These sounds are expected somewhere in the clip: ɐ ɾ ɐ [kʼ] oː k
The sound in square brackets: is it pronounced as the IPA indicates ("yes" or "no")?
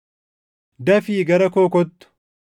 no